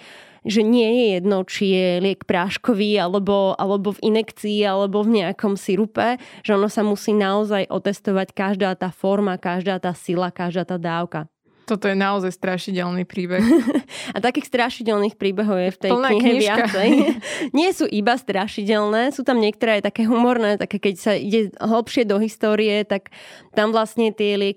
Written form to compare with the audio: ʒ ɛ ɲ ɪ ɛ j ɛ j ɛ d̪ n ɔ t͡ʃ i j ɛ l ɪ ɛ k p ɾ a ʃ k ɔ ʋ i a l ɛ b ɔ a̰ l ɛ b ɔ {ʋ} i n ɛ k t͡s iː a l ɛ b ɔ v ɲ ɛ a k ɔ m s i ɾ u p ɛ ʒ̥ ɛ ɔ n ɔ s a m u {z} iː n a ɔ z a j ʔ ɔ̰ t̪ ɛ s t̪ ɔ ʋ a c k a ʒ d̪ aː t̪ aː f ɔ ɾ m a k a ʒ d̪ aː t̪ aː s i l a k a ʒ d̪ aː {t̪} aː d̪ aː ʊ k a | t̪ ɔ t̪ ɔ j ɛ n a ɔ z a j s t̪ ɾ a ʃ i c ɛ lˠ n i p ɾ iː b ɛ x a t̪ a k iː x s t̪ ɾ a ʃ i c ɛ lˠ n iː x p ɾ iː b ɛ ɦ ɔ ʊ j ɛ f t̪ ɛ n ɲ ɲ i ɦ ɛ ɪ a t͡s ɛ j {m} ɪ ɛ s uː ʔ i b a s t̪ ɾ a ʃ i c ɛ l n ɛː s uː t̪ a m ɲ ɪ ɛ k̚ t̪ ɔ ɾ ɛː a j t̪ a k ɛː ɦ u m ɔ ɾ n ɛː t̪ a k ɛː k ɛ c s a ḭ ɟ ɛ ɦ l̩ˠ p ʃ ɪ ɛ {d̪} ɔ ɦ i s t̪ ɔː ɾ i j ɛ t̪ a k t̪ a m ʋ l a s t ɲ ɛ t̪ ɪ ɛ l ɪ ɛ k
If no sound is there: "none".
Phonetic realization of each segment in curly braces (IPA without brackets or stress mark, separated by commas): v, s, t̪, ɲ, d̪